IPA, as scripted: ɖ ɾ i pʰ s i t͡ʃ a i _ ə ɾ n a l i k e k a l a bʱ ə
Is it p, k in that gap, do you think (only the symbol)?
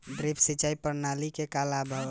p